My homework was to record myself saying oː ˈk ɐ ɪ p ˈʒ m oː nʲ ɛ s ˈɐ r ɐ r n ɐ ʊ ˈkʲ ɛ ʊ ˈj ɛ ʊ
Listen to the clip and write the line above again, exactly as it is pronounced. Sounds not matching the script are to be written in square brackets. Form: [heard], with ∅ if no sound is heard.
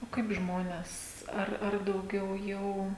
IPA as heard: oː ˈk ɐ ɪ p ˈʒ m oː nʲ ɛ s ˈɐ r ɐ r [d] ɐ ʊ [ˈɡʲ] ɛ ʊ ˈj ɛ ʊ